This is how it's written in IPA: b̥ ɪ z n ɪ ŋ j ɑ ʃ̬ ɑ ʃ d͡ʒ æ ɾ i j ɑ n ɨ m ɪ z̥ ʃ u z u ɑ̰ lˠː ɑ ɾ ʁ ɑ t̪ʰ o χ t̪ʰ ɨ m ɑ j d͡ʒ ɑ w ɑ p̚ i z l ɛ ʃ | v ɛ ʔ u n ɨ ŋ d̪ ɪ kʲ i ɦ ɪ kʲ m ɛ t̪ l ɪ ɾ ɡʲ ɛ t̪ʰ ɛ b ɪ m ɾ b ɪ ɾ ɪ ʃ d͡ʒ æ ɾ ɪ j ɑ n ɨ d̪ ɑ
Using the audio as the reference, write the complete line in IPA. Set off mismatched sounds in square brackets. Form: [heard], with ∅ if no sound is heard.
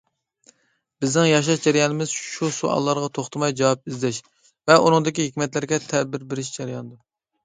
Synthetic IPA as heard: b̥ ɪ z n ɪ ŋ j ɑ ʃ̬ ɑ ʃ d͡ʒ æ ɾ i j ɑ n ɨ m ɪ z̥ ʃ u [s] u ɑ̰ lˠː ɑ ɾ ʁ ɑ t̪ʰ o χ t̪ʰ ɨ m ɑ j d͡ʒ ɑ w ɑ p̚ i z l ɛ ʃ | v ɛ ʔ u n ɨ ŋ d̪ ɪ kʲ i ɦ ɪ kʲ m ɛ t̪ l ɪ ɾ ɡʲ ɛ t̪ʰ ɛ b ɪ [∅] ɾ b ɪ ɾ ɪ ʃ d͡ʒ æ ɾ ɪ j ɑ n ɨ d̪ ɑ